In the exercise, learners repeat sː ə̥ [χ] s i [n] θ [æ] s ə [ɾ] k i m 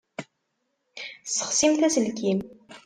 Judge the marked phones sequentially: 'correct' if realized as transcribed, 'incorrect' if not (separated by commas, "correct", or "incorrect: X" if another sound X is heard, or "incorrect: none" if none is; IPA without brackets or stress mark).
correct, incorrect: m, correct, incorrect: l